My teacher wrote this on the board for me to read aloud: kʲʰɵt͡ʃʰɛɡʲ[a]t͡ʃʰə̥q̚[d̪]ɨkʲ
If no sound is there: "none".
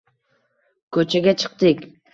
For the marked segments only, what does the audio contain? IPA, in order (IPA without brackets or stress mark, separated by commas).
ɛ, t̪